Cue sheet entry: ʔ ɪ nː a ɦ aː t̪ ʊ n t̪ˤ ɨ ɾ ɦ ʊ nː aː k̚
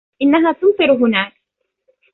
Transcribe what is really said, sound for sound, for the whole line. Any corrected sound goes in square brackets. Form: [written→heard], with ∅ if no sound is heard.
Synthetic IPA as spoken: ʔ ɪ nː a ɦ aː t̪ ʊ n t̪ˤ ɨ ɾ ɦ ʊ [nː→n] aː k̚